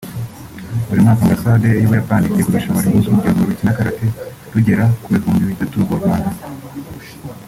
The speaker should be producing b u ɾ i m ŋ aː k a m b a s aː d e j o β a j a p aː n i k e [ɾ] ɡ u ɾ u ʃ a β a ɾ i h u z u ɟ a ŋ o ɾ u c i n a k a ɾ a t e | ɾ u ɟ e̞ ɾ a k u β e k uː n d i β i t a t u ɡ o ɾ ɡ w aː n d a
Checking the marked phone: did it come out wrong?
yes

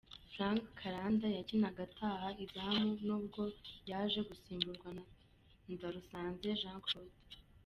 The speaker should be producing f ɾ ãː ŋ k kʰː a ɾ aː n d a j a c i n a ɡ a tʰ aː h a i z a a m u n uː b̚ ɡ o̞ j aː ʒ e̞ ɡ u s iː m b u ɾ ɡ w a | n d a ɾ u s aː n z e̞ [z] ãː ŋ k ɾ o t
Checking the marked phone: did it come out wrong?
yes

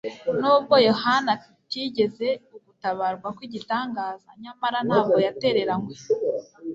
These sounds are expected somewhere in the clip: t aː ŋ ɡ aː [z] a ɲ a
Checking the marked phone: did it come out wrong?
no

